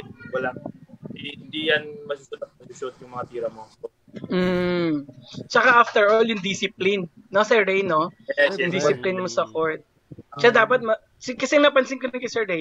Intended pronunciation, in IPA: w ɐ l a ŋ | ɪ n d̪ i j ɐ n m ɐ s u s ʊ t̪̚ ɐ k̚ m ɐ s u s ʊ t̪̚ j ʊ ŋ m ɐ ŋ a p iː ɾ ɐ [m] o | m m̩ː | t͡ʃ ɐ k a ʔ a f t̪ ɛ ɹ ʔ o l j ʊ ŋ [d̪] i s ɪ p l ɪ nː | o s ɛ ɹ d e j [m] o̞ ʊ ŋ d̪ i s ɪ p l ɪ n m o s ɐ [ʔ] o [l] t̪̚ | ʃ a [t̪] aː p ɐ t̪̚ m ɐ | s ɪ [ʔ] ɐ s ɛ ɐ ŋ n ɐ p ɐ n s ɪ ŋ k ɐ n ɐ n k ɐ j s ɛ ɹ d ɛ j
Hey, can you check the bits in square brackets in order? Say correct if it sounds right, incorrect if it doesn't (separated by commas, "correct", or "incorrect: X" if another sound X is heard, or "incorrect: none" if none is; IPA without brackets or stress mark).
correct, correct, incorrect: n, incorrect: k, incorrect: ɹ, incorrect: d̪, incorrect: k